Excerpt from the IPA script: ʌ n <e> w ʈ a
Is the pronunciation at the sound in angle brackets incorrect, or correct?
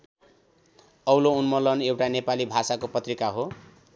correct